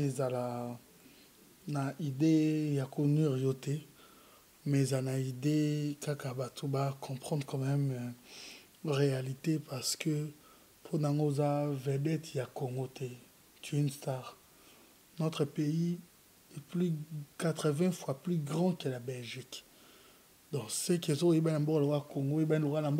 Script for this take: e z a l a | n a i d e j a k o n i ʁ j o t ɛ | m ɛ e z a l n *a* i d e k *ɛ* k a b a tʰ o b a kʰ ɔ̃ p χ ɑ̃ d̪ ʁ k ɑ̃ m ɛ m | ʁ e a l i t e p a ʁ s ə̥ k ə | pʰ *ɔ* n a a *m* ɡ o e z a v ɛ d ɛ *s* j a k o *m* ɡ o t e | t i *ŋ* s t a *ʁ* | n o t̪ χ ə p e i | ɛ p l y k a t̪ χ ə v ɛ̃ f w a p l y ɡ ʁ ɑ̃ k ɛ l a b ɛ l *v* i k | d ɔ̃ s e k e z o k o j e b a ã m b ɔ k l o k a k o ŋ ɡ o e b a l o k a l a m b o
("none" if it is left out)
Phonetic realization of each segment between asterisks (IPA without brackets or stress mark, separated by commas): a, a, o, ŋ, t, ŋ, n, ʁ, ʒ